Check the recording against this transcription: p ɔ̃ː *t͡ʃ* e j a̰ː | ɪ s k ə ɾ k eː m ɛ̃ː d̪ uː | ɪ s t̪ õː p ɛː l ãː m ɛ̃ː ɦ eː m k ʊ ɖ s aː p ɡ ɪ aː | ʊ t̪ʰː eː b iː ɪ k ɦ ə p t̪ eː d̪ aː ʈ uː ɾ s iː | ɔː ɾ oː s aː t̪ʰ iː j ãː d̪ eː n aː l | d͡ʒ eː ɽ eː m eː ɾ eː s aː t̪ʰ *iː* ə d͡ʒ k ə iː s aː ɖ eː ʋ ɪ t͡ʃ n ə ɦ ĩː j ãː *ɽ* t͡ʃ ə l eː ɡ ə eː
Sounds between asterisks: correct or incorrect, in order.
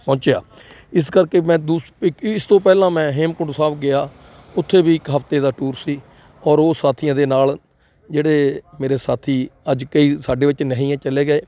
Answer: correct, correct, incorrect

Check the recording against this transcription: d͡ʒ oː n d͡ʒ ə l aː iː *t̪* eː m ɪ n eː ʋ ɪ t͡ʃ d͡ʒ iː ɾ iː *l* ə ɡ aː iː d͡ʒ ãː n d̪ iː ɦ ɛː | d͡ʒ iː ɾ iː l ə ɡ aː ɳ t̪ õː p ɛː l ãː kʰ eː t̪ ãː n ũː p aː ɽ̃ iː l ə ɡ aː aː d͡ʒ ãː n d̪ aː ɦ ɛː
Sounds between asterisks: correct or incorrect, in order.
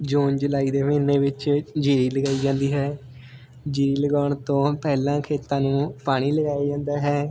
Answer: incorrect, correct

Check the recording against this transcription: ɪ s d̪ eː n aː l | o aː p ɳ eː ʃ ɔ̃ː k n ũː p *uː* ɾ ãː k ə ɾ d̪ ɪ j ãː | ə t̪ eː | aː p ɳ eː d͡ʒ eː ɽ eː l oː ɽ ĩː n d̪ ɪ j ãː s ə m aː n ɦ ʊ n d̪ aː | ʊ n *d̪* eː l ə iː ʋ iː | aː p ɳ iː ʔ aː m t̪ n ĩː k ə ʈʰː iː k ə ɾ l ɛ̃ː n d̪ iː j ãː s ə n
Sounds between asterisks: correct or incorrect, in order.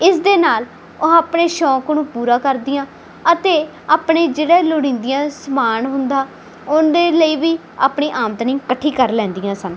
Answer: correct, correct

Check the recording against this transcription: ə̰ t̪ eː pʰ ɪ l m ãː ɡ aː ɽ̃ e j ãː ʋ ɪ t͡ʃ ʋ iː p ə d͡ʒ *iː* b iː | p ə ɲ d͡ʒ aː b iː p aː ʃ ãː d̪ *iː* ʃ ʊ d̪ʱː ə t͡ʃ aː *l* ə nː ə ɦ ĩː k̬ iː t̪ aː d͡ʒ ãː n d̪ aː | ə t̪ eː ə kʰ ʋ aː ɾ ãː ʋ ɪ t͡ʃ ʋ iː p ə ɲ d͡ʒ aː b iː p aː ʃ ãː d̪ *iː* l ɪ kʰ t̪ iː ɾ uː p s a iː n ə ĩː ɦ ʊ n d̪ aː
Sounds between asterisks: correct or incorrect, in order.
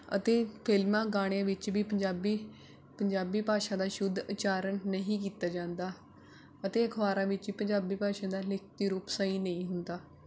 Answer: incorrect, incorrect, incorrect, incorrect

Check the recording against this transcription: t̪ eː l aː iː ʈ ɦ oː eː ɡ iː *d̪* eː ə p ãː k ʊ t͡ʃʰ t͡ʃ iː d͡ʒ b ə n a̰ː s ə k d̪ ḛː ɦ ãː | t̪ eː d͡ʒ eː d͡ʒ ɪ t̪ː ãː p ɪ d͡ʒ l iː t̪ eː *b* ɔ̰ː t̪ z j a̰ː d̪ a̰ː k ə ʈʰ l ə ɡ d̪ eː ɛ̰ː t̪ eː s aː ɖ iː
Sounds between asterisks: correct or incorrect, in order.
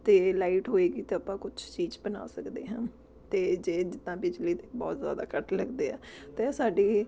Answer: incorrect, correct

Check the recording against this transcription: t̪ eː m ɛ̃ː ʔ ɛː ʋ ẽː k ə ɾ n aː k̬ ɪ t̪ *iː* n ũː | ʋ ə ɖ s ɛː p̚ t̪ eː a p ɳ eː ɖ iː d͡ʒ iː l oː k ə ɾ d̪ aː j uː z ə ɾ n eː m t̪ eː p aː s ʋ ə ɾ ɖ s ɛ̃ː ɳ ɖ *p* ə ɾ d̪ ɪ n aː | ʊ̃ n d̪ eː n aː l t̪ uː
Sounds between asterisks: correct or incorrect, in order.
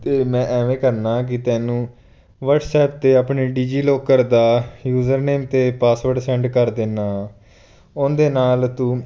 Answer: incorrect, incorrect

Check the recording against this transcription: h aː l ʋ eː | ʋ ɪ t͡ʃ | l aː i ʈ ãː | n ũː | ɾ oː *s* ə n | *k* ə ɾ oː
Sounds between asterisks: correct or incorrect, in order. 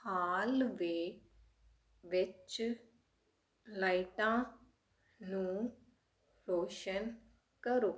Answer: incorrect, correct

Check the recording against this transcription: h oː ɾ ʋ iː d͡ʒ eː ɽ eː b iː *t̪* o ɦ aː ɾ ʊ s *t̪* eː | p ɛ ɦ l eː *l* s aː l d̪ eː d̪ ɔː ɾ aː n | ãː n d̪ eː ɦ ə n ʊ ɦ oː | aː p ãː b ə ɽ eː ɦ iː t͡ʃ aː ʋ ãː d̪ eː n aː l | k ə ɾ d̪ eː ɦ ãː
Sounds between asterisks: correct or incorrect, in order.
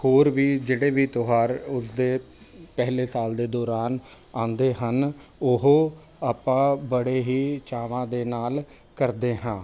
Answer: correct, incorrect, incorrect

